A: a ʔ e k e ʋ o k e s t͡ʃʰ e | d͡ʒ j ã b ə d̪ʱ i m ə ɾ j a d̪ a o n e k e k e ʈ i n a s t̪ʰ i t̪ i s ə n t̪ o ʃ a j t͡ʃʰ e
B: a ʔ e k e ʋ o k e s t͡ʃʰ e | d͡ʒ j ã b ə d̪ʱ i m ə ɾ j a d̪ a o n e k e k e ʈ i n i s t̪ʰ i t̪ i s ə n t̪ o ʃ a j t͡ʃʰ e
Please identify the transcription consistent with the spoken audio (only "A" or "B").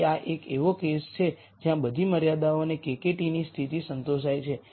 B